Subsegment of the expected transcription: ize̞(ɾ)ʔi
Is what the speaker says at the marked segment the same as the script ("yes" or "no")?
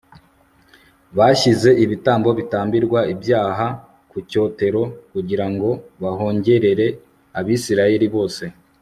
no